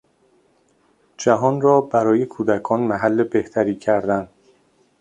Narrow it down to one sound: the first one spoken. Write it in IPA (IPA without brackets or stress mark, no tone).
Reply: d͡ʒ